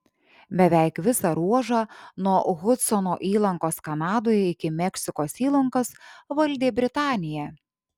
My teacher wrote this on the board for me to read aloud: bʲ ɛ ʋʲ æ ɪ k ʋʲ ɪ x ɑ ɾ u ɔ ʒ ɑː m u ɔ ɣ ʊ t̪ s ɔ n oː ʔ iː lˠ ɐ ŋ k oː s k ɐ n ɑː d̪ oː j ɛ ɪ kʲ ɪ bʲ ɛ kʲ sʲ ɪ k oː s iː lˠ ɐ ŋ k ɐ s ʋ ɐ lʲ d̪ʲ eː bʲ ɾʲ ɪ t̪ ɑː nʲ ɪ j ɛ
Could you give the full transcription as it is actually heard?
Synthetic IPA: bʲ ɛ ʋʲ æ ɪ k ʋʲ ɪ s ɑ ɾ u ɔ ʒ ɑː n u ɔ ɣ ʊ t̪ s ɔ n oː ʔ iː lˠ ɐ ŋ k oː s k ɐ n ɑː d̪ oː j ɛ ɪ kʲ ɪ mʲ ɛ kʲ sʲ ɪ k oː s iː lˠ ɐ ŋ k ɐ s ʋ ɐ lʲ d̪ʲ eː bʲ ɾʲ ɪ t̪ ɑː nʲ ɪ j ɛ

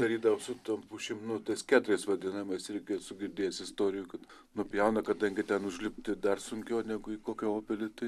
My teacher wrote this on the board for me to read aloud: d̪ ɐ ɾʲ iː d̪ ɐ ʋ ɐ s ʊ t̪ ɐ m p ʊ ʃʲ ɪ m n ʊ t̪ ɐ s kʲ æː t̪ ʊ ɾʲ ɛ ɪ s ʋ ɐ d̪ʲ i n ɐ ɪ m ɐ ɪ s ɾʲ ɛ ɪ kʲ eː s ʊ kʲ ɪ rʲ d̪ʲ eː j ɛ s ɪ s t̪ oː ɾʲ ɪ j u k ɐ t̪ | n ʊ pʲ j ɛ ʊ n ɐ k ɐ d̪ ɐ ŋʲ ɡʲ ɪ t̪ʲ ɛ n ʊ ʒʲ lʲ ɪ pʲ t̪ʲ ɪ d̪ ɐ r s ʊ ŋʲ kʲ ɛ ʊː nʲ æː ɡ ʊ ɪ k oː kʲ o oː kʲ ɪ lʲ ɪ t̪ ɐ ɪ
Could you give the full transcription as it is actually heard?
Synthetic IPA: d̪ ɐ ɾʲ iː d̪ ɐ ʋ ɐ s ʊ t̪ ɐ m p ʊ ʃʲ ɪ m n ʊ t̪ ɐ s kʲ æː t̪ ʊ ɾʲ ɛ ɪ s ʋ ɐ d̪ʲ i n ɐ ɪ m ɐ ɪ s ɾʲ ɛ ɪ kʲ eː s ʊ ɡʲ ɪ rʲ d̪ʲ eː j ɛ s ɪ s t̪ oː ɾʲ ɪ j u k ɐ t̪ | n ʊ pʲ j ɛ ʊ n ɐ k ɐ d̪ ɐ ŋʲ ɡʲ ɪ t̪ʲ ɛ n ʊ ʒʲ lʲ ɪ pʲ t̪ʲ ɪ d̪ ɐ r s ʊ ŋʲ kʲ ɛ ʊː nʲ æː ɡ ʊ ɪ k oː kʲ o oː pʲ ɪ lʲ ɪ t̪ ɐ ɪ

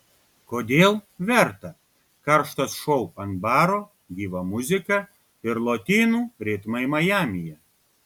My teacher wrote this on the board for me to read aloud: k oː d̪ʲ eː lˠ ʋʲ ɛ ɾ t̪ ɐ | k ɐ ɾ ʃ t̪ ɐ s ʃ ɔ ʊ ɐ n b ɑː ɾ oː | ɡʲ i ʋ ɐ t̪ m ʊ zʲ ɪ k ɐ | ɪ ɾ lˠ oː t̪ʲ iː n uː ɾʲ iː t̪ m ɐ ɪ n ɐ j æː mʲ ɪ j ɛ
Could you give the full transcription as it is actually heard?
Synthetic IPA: k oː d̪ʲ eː lˠ ʋʲ ɛ ɾ t̪ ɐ | k ɐ ɾ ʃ t̪ ɐ s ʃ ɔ ʊ ɐ n b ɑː ɾ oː | ɡʲ iː ʋ ɐ m ʊ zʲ ɪ k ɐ | ɪ ɾ lˠ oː t̪ʲ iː n uː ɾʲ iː t̪ m ɐ ɪ m ɐ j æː mʲ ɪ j ɛ

